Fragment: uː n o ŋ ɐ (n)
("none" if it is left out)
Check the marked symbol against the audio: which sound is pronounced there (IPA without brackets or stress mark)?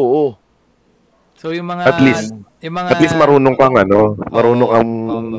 ŋ